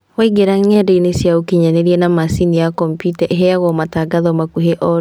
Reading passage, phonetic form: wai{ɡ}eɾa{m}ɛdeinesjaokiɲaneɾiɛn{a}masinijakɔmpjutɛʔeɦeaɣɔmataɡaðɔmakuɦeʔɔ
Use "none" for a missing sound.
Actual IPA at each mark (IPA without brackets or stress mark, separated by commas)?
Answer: ɡ, ŋ, a